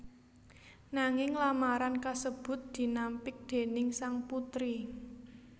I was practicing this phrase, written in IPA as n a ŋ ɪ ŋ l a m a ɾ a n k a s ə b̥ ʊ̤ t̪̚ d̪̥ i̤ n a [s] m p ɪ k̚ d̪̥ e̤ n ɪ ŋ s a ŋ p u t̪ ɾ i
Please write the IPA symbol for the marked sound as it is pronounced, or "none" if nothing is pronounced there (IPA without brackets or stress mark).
none